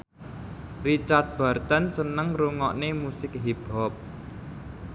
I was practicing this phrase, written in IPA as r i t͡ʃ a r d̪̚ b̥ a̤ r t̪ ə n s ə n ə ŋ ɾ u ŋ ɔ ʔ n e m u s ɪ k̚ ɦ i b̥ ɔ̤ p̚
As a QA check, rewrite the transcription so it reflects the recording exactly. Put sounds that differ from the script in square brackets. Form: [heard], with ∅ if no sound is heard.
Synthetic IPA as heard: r i t͡ʃ a r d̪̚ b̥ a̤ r t̪ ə n s ə n ə ŋ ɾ u ŋ ɔ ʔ n e m u s ɪ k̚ ɦ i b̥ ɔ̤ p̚